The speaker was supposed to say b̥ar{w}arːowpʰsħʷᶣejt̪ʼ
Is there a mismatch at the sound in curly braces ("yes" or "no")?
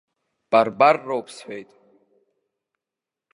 yes